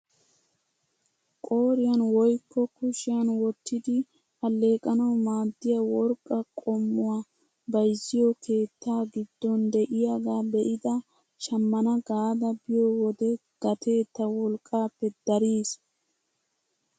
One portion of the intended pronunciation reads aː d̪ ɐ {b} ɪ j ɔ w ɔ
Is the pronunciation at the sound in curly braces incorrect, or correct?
correct